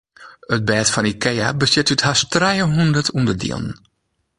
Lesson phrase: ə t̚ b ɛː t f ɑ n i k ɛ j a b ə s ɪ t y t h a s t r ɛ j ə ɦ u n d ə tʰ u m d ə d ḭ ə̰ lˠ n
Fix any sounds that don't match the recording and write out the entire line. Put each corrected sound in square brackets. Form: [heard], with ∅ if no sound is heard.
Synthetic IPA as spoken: ə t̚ b ɛː t f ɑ n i k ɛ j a b ə s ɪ t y t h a s t r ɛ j ə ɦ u n d ə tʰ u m d ə d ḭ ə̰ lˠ n

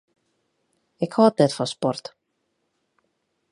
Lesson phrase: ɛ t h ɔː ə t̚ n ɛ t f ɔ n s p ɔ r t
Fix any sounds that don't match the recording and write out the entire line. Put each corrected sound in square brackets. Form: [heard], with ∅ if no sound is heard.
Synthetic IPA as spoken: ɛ [k] h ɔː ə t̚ n ɛ t f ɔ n s p ɔ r t

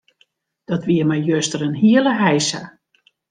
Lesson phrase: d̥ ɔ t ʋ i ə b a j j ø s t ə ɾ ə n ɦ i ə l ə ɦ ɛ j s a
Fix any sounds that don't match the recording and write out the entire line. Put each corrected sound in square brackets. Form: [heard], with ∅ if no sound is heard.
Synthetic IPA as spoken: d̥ ɔ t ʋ i ə [m] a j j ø s t ə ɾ ə n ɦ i ə l ə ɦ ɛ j s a

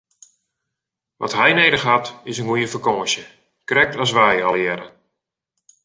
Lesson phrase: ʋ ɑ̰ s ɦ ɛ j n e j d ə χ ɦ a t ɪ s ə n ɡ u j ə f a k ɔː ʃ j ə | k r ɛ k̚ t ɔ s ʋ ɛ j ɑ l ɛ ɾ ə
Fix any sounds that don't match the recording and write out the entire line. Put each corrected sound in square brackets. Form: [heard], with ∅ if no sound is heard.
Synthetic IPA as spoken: ʋ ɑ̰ [t] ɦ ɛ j n e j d ə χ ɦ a t ɪ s ə n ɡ u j ə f [ə] k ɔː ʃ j ə | k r ɛ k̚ t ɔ s ʋ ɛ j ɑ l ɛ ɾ ə

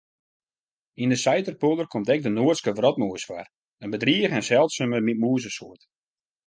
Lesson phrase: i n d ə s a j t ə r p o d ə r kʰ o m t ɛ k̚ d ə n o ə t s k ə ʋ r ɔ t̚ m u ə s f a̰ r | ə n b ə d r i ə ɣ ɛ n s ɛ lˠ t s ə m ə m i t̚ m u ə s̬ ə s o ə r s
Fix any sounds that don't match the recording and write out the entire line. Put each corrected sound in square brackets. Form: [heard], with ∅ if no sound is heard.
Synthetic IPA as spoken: i n d ə s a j t ə r p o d ə r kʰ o m t ɛ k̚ d ə n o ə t s k ə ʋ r ɔ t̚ m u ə s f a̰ r | ə n b ə d r i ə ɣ ɛ n s ɛ lˠ t s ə m ə m i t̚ m u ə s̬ ə s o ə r [t]

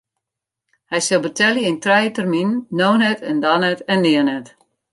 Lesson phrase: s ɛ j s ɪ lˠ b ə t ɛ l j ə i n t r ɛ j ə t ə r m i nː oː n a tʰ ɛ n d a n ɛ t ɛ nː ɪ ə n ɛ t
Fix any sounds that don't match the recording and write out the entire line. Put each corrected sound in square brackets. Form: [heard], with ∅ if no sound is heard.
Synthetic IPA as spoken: [h] ɛ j s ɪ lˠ b ə t ɛ l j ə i n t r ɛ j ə t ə r m i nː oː n [ɛ] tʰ ɛ n d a n ɛ t ɛ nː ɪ ə n ɛ t

